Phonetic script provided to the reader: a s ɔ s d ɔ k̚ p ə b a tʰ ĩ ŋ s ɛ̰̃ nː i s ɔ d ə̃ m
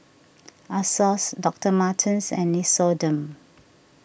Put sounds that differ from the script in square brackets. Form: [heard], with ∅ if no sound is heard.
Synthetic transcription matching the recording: a s ɔ s d ɔ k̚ [t] ə [m] a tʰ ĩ [n] s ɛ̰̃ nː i s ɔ d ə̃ m